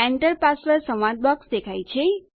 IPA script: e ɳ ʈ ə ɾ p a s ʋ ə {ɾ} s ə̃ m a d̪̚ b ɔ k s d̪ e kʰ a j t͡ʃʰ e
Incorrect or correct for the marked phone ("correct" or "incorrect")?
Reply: correct